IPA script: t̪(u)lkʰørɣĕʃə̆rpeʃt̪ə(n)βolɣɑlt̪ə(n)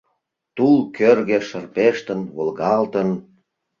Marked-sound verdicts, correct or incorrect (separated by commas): correct, correct, correct